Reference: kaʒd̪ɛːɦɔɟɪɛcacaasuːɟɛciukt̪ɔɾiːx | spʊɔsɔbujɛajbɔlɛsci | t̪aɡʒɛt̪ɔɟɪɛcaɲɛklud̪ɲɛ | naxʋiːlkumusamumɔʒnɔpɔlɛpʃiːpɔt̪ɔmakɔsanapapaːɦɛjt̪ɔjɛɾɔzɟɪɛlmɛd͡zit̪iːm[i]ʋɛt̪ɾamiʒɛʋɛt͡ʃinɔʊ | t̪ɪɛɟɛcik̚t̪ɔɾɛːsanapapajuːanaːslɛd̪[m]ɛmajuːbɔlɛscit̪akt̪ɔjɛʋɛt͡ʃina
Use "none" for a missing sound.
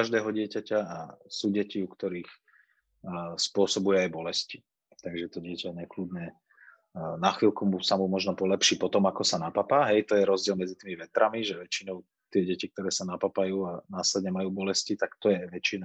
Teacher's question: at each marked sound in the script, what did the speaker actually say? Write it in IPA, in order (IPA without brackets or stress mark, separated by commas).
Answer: i, ɲ